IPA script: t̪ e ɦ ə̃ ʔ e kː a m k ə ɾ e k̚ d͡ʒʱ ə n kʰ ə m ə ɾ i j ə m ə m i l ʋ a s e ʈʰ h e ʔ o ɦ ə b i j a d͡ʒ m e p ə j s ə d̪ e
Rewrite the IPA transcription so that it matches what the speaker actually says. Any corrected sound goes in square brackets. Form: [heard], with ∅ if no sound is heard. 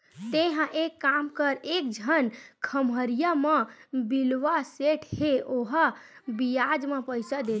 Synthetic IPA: t̪ e ɦ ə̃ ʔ e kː a m k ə ɾ e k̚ d͡ʒʱ ə n kʰ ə m ə ɾ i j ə m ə [b] i l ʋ a s e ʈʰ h e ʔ o ɦ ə b i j a d͡ʒ m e p ə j s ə d̪ e

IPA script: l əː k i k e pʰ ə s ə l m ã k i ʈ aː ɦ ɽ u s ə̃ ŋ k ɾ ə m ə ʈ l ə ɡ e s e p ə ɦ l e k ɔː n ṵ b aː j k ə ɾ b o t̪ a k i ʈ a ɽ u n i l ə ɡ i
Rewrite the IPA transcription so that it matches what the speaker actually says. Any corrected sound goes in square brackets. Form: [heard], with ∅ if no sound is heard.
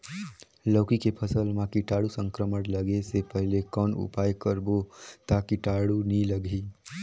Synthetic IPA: l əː k i k e pʰ ə s ə l m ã k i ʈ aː [∅] ɽ u s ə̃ ŋ k ɾ ə m ə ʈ l ə ɡ e s e p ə ɦ l e k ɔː n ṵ [p] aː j k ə ɾ b o t̪ a k i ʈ a ɽ u n i l ə ɡ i

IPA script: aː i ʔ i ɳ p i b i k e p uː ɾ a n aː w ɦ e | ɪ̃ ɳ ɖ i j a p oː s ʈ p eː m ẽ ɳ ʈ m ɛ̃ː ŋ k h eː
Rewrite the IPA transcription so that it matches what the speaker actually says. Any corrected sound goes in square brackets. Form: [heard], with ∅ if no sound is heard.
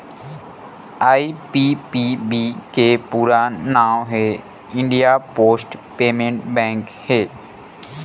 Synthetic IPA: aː i [p] i [∅] p i b i k e p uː ɾ a n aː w ɦ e | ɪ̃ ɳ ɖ i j a p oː s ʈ p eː m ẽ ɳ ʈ [b] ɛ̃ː ŋ k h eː

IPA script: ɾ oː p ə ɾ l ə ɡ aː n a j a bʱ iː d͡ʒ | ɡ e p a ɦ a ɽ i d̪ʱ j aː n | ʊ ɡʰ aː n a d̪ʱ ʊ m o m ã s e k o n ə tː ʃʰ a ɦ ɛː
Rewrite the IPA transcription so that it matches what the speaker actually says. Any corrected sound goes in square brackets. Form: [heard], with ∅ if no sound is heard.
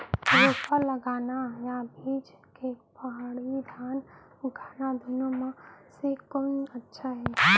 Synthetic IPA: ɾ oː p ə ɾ l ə ɡ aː n a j a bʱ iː d͡ʒ | [k] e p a ɦ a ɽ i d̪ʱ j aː n | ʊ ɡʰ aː n a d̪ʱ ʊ [n] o m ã s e k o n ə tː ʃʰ a ɦ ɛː

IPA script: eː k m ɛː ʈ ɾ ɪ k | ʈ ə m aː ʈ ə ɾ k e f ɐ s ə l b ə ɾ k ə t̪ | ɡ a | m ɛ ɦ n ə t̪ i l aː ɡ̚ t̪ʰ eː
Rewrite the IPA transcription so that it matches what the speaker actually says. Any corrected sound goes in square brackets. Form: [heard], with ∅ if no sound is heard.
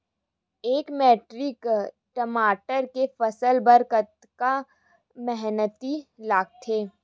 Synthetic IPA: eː k m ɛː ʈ ɾ ɪ k | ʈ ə m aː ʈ ə ɾ k e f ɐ s ə l b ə ɾ k ə t̪ | [k] a | m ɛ ɦ n ə t̪ i l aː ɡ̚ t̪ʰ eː

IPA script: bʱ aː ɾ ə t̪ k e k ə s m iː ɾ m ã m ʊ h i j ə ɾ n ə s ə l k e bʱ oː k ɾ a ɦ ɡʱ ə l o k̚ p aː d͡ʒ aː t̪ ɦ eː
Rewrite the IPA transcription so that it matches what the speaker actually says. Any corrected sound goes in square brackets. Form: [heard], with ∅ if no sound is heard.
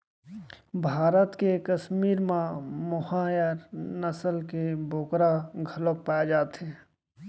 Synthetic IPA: bʱ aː ɾ ə t̪ k e k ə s m iː ɾ m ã m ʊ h [a] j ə ɾ n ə s ə l k e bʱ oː k ɾ a [∅] ɡʱ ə l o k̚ p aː d͡ʒ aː t̪ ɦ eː

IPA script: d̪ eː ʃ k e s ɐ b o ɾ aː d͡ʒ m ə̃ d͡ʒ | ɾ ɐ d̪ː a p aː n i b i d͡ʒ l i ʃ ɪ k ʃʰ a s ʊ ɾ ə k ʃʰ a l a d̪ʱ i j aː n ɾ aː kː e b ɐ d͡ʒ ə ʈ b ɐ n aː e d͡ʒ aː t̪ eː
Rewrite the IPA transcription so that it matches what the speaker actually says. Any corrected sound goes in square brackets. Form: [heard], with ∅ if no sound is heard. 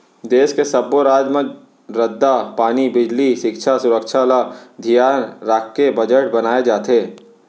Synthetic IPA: d̪ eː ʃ k e s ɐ b o ɾ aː d͡ʒ m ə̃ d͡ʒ | ɾ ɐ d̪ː a p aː n i b [ɪ] d͡ʒ l i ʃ ɪ k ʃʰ a s ʊ ɾ ə k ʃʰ a l a d̪ʱ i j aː n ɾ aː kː e b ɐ d͡ʒ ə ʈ b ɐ n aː e d͡ʒ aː t̪ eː

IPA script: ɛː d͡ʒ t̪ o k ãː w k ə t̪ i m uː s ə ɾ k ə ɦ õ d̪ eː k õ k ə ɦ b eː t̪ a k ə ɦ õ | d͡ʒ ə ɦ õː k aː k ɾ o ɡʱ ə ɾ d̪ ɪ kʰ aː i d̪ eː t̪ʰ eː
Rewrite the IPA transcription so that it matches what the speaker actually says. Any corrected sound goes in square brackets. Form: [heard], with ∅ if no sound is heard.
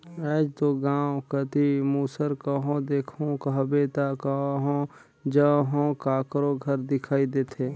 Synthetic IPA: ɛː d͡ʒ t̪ o [ɡ] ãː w k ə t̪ i m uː s ə ɾ k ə ɦ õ d̪ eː [kʰ] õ k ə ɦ b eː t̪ a k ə ɦ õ | d͡ʒ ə ɦ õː k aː k ɾ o ɡʱ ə ɾ d̪ ɪ kʰ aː i d̪ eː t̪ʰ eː

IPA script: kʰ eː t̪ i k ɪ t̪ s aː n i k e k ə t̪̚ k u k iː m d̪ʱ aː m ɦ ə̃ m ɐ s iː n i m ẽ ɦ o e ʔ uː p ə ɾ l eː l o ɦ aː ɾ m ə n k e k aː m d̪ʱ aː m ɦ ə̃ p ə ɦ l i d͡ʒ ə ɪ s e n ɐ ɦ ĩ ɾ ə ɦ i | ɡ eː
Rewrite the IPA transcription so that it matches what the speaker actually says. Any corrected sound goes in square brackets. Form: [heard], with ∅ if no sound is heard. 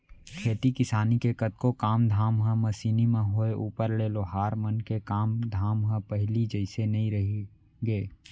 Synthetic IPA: kʰ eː t̪ i k ɪ [∅] s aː n i k e k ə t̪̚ k [o] k [aː] m d̪ʱ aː m ɦ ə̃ m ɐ s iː n i m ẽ ɦ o e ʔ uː p ə ɾ l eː l o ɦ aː ɾ m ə n k e k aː m d̪ʱ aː m ɦ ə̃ p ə ɦ l i d͡ʒ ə ɪ s e n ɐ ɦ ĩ ɾ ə ɦ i | ɡ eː

